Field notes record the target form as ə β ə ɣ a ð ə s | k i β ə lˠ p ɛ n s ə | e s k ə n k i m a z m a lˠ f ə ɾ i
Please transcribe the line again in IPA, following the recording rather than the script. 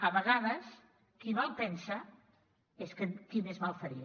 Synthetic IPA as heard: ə β ə ɣ a ð ə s | k i β a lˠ p ɛ n s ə | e s k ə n k i m e z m a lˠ f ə ɾ i